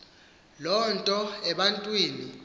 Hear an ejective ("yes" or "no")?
yes